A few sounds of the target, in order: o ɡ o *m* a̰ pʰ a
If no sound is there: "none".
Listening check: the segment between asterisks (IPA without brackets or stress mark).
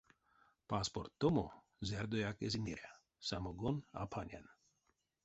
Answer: n